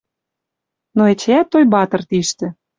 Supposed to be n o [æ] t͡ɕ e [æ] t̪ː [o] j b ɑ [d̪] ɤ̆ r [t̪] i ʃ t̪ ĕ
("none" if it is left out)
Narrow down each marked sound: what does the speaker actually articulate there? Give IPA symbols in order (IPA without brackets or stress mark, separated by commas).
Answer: e, æ, o, t̪, t̪